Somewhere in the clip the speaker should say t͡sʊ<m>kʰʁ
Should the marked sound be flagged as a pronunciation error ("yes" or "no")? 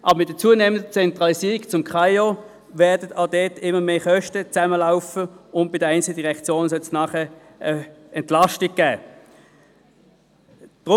no